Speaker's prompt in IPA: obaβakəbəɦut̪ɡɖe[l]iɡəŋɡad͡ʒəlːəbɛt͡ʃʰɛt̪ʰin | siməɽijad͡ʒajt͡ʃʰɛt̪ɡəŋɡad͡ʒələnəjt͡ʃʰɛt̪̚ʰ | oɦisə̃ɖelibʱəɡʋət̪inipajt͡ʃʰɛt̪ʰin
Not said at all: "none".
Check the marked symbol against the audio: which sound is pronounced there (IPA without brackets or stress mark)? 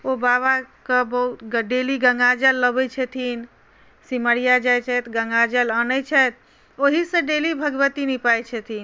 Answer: l